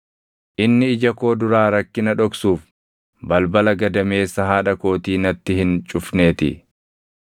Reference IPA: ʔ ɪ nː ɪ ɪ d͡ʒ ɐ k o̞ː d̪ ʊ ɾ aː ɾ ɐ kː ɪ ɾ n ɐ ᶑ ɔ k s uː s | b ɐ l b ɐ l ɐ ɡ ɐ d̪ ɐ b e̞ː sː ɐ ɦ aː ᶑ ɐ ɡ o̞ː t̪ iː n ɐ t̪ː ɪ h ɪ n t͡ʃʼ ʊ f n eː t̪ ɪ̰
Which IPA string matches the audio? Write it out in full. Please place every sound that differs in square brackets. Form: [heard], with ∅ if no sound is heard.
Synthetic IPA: ʔ ɪ nː ɪ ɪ d͡ʒ ɐ k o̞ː d̪ ʊ ɾ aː ɾ ɐ kː ɪ [∅] n ɐ ᶑ ɔ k s uː [f] | b ɐ l b ɐ l ɐ ɡ ɐ d̪ ɐ [m] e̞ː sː ɐ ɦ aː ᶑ ɐ [k] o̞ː t̪ iː n ɐ t̪ː ɪ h ɪ n t͡ʃʼ ʊ f n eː t̪ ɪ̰